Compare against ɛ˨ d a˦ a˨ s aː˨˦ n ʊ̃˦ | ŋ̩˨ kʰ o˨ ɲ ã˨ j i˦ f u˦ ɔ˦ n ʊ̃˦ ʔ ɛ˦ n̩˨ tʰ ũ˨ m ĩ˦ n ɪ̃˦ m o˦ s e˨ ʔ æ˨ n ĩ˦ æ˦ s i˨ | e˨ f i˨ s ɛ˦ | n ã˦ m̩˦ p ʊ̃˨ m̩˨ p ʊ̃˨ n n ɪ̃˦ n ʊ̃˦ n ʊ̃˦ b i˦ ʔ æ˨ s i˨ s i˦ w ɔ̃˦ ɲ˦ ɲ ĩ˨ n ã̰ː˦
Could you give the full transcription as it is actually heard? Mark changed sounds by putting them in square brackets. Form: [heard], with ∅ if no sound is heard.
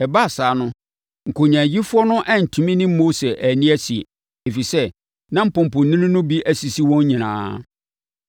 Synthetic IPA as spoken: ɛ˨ [b] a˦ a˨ s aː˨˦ n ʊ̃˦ | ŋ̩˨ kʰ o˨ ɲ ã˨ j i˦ f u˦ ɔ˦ n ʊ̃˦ ʔ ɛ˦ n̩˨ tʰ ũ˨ m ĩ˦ n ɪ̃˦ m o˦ s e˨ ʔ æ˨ n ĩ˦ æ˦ s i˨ | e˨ f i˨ s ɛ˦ | n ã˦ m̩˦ p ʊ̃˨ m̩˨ p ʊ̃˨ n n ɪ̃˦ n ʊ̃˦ n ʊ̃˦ b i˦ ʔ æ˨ s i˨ s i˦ w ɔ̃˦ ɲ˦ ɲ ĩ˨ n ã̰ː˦